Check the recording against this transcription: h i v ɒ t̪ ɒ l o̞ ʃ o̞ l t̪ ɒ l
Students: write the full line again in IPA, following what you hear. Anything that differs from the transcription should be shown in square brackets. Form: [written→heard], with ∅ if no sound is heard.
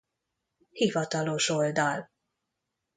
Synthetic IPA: h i v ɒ t̪ ɒ l o̞ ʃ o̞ l [t̪→d̪] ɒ l

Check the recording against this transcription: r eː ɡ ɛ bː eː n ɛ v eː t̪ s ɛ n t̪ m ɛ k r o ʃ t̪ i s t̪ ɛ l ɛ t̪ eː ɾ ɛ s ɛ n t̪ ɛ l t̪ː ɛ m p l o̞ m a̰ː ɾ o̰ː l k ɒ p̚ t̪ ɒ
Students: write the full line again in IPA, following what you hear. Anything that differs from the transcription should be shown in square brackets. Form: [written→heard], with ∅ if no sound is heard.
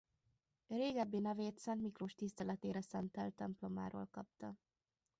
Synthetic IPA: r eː ɡ ɛ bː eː n ɛ v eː t̪ s ɛ n t̪ m [ɛ→i] k r o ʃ t̪ i s t̪ ɛ l ɛ t̪ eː ɾ ɛ s ɛ n t̪ ɛ l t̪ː ɛ m p l o̞ m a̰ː ɾ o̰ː l k ɒ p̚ t̪ ɒ

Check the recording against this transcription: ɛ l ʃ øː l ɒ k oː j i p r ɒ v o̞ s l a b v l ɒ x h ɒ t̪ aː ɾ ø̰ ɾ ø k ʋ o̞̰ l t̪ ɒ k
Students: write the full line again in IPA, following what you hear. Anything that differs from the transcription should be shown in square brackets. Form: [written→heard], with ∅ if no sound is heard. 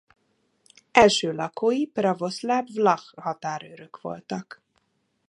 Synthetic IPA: ɛ l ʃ øː l ɒ k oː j i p r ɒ v o̞ s l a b v l ɒ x h ɒ t̪ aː ɾ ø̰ ɾ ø k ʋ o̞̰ l t̪ ɒ k

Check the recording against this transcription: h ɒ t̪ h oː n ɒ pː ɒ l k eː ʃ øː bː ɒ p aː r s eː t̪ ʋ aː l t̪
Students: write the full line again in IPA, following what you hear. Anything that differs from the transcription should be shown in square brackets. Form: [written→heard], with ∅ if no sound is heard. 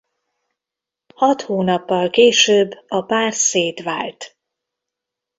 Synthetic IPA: h ɒ t̪ h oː n ɒ pː ɒ l k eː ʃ øː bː ɒ p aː r s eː t̪ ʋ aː l t̪

